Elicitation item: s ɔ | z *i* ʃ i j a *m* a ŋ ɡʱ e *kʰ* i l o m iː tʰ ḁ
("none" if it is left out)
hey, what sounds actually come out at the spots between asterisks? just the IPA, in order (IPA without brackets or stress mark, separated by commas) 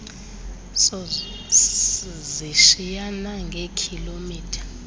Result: i, n, kʰ